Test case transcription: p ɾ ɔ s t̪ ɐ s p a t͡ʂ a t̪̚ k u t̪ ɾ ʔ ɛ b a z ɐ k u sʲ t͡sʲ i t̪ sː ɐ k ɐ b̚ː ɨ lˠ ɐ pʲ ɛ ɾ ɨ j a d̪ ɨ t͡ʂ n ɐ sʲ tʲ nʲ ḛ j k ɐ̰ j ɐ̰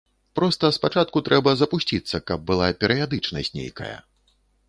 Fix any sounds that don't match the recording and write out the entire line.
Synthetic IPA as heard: p ɾ ɔ s t̪ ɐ s p a t͡ʂ a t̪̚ k u t̪ ɾ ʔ ɛ b ɐ z ɐ p u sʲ t͡sʲ i t̪ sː ɐ k ɐ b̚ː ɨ lˠ a pʲ ɛ ɾ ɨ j a d̪ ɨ t͡ʂ n ɐ sʲ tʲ nʲ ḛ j k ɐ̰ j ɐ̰